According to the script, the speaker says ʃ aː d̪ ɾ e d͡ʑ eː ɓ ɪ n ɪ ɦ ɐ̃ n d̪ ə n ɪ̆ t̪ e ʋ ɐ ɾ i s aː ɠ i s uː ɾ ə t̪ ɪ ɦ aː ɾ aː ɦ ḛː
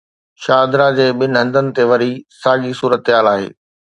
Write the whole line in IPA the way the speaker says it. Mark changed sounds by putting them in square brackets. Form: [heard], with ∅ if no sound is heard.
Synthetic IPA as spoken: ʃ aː d̪ ɾ [a] d͡ʑ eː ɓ ɪ n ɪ ɦ ɐ̃ n d̪ ə n ɪ̆ t̪ e ʋ ɐ ɾ i s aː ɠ i s uː ɾ ə t̪ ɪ ɦ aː [l] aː ɦ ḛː